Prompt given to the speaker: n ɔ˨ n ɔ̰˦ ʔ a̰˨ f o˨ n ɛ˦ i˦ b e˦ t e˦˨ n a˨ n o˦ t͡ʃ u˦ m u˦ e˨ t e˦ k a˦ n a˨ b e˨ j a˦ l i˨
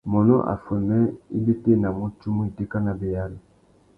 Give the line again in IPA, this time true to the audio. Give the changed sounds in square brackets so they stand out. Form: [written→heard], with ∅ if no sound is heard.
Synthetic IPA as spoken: [n→m] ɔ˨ n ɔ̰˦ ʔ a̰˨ f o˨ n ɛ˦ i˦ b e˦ t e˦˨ n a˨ [n→m] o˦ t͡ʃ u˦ m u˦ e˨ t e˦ k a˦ n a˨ b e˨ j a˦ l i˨